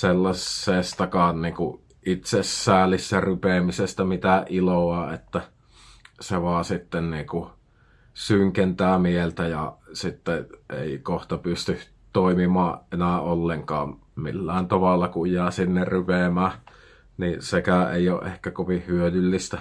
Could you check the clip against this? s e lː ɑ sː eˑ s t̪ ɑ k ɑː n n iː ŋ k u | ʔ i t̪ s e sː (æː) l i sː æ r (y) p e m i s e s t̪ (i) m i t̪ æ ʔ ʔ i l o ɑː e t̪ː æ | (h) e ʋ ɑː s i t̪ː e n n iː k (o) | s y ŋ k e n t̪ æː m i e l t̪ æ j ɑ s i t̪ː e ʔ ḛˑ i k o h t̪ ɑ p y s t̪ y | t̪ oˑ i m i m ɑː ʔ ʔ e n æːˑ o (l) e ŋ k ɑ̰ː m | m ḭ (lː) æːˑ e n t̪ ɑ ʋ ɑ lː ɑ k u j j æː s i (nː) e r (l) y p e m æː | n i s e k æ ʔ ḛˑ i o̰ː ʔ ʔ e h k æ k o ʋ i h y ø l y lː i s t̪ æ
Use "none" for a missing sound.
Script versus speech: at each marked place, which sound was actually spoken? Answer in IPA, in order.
æː, y, æ, s, u, lː, lː, nː, r

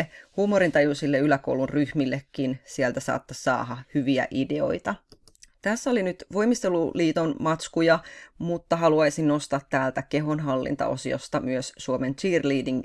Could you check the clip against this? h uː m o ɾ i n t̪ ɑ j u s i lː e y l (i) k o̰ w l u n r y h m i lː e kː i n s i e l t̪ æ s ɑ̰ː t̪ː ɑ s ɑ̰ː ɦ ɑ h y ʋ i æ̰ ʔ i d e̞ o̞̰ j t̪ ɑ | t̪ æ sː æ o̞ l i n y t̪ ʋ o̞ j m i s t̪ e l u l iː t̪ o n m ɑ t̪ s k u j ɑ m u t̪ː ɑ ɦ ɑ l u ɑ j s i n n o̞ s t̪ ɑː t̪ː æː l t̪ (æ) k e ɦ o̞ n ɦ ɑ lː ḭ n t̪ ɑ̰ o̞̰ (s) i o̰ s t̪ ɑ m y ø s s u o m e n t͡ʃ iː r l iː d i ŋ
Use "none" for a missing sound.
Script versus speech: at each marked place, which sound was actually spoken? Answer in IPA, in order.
æ, æ, s

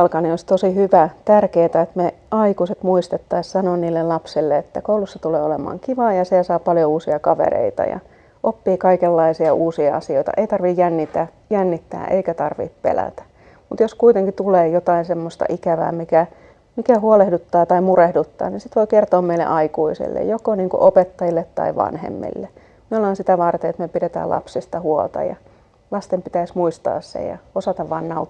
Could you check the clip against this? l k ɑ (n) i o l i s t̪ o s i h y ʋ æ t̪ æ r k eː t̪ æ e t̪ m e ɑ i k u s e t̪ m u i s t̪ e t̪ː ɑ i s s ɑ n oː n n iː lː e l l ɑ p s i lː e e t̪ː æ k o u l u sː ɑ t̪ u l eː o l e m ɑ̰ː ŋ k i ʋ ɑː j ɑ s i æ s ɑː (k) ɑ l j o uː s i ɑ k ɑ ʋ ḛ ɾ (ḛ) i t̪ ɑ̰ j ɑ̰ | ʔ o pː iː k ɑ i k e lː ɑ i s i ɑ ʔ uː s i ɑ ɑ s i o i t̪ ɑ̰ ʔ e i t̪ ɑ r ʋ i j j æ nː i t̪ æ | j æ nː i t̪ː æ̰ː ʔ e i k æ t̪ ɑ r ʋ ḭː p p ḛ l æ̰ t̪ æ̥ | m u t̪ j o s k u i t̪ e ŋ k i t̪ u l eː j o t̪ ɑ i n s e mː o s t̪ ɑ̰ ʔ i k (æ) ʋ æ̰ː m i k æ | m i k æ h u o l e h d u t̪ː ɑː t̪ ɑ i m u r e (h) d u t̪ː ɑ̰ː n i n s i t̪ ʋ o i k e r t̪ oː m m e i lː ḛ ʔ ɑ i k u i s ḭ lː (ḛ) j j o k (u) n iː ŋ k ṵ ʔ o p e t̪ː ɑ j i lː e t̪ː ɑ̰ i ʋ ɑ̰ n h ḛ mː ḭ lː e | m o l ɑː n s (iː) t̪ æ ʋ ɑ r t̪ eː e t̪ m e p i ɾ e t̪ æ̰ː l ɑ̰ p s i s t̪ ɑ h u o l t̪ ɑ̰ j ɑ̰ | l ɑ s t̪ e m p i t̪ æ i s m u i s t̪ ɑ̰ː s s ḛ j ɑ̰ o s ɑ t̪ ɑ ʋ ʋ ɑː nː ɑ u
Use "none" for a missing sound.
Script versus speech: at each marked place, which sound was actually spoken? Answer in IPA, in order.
n, p, ḛ, æ, h, ḛ, o, i

